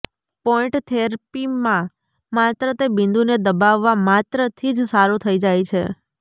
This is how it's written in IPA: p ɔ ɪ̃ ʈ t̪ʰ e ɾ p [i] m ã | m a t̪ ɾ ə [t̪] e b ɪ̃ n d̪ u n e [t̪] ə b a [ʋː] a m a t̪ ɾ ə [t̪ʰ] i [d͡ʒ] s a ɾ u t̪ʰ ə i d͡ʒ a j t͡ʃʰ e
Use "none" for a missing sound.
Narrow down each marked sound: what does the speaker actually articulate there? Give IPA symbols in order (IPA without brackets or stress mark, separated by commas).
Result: i, t̪, d̪, ʋː, t̪ʰ, d͡ʒ